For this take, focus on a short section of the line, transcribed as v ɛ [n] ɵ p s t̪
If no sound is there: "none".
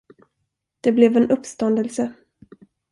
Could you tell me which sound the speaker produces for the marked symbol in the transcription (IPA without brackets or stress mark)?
n